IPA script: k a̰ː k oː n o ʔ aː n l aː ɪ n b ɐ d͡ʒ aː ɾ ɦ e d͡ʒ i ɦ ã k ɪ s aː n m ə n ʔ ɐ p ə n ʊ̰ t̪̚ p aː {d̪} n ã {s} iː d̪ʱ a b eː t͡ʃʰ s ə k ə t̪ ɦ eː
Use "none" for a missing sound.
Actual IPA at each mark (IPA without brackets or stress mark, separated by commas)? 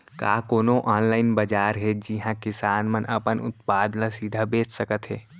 d̪, s